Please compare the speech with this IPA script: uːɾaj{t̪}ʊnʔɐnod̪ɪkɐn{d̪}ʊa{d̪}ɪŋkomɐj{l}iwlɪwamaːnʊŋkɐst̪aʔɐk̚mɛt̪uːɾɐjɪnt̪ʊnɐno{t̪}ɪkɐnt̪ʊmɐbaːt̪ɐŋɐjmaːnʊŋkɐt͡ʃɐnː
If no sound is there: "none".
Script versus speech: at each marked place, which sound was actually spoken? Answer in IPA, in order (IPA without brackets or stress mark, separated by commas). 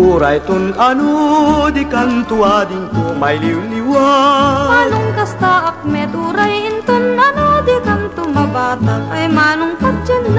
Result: t̪, t̪, d̪, l, d̪